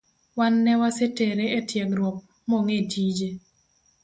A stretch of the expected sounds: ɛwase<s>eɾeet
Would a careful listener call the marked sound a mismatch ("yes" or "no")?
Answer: yes